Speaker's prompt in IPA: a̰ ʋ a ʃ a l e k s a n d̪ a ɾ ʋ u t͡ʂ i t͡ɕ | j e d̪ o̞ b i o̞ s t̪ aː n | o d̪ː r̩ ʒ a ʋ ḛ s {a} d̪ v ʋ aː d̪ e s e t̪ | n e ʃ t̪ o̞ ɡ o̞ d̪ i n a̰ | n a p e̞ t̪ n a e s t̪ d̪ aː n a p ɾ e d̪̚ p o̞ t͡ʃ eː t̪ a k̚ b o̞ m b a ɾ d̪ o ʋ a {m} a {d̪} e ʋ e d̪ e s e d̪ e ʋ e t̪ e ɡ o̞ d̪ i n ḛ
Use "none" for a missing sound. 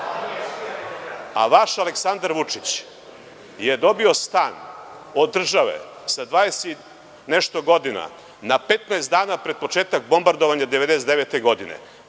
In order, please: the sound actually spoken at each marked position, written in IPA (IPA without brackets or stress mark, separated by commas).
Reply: a, ɲ, d̪